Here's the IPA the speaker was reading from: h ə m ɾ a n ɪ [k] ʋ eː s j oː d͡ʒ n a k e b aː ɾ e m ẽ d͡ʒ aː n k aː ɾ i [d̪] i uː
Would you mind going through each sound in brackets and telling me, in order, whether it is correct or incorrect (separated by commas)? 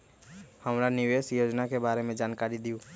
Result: incorrect, correct